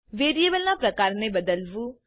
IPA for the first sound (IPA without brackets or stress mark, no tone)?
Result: ʋ